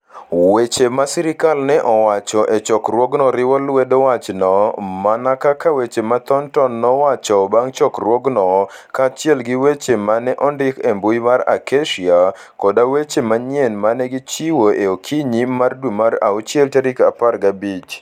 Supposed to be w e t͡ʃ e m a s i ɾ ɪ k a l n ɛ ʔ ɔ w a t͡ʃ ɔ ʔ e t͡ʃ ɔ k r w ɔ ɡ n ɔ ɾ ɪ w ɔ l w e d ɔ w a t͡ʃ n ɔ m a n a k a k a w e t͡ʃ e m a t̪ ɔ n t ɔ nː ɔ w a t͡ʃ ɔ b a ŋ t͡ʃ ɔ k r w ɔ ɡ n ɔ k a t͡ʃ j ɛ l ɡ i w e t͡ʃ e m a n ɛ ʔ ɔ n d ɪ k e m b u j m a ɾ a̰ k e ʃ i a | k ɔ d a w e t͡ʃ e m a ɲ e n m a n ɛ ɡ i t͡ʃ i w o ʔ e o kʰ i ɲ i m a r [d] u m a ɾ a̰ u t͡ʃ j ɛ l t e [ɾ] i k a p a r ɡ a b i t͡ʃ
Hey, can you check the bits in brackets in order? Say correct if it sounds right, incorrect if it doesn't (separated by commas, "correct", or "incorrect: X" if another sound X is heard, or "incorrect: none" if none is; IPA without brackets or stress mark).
correct, correct